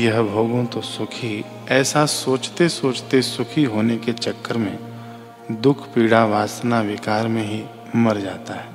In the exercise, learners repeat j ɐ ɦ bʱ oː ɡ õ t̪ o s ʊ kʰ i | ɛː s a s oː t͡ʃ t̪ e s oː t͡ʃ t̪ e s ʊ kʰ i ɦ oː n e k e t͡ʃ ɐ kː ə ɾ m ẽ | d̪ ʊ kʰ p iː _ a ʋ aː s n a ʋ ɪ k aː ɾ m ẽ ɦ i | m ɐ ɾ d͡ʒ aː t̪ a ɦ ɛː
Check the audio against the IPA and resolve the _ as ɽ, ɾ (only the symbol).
ɽ